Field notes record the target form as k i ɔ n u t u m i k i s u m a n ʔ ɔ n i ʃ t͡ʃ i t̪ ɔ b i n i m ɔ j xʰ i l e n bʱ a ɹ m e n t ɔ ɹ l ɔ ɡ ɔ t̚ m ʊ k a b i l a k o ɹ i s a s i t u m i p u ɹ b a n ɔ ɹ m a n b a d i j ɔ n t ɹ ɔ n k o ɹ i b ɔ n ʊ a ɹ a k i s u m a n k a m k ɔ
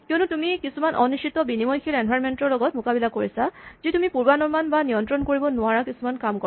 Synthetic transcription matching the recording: k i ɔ n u t u m i k i s u m a n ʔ ɔ n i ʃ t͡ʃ i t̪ ɔ b i n i m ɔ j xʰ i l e n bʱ a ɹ m e n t ɔ ɹ l ɔ ɡ ɔ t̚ m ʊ k a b i l a k o ɹ i s a z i t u m i p u ɹ b a n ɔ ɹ m a n b a n i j ɔ n t ɹ ɔ n k o ɹ i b ɔ n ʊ a ɹ a k i s u m a n k a m k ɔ

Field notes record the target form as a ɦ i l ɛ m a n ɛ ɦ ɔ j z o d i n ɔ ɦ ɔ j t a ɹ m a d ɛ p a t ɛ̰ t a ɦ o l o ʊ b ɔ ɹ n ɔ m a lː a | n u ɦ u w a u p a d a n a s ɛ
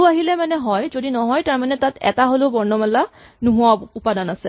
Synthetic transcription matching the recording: a ɦ i l ɛ m a n ɛ ɦ ɔ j z o d i n ɔ ɦ ɔ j t a ɹ m a n ɛ t a t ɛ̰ t a ɦ o l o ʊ b ɔ ɹ n ɔ m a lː a | n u ɦ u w a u p a d a n a s ɛ

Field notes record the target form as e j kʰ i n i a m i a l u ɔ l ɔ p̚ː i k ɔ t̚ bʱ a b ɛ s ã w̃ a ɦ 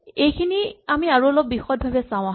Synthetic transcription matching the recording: e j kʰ i n i a m i a ɹ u ɔ l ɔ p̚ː i x ɔ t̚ bʱ a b ɛ s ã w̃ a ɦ

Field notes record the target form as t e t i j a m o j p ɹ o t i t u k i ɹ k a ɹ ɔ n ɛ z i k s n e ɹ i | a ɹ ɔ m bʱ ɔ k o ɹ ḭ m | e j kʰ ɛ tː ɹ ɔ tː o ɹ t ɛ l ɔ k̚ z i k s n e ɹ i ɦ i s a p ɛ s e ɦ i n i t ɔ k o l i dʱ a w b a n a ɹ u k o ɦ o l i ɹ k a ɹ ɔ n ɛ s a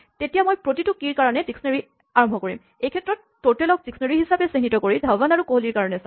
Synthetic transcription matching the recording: t e t i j a m o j p ɹ o t i t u k i ɹ k a ɹ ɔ n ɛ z i k s n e ɹ i | a ɹ ɔ m bʱ ɔ k o ɹ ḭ m | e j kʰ ɛ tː ɹ ɔ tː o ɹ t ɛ l ɔ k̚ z i k s n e ɹ i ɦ i s a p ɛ s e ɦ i n i t ɔ k o ɹ i dʱ a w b a n a ɹ u k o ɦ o l i ɹ k a ɹ ɔ n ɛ s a

